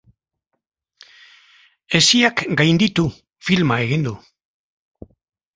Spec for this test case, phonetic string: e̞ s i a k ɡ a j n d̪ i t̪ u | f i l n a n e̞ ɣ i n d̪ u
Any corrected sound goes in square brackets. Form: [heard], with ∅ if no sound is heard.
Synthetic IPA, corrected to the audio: e̞ s i a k ɡ a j n d̪ i t̪ u | f i l [m] a [∅] e̞ ɣ i n d̪ u